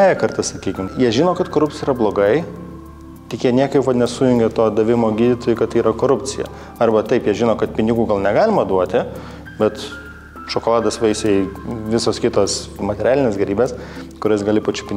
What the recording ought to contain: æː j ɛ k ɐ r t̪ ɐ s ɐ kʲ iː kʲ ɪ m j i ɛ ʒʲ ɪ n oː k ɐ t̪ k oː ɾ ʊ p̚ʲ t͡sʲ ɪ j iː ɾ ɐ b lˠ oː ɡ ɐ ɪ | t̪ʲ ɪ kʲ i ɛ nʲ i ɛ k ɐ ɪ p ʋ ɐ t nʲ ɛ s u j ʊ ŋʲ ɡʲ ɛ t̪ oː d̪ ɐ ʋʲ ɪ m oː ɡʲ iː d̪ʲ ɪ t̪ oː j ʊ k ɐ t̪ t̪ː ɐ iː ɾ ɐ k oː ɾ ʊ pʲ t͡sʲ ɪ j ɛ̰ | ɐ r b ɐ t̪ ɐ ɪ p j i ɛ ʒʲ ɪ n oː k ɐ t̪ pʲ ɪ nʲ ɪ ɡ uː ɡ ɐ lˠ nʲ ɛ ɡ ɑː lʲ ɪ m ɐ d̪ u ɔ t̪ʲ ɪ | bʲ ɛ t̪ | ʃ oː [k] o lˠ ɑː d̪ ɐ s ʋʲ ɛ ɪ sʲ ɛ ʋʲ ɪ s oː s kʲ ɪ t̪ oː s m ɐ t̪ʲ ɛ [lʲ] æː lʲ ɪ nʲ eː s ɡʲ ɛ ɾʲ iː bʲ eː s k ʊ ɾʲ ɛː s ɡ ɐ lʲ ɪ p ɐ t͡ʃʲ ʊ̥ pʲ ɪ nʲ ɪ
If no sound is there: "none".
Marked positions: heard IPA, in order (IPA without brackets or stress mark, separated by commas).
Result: k, ɾʲ